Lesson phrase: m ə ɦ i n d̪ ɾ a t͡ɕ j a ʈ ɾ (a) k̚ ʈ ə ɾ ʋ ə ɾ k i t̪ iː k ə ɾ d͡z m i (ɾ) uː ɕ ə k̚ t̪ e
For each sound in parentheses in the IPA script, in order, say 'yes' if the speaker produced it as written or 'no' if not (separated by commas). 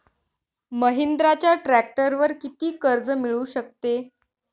no, no